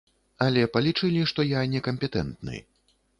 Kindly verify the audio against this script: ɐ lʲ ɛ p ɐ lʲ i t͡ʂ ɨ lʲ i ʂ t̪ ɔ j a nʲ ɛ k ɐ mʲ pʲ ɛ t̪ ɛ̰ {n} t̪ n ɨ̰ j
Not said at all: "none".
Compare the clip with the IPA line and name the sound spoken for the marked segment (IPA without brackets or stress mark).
n